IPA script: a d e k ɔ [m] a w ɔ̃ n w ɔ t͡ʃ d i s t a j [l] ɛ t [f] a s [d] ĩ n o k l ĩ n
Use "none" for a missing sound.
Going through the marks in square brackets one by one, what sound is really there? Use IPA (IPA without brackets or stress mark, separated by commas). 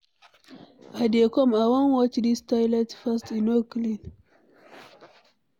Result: m, l, f, t